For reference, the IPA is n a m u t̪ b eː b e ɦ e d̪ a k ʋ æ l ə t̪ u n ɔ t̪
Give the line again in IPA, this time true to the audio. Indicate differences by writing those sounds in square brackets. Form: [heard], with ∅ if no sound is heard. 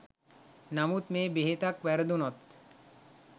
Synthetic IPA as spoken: n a m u t̪ [m] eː b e ɦ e [t̪] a k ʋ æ [ɾ] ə [d̪] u n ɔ t̪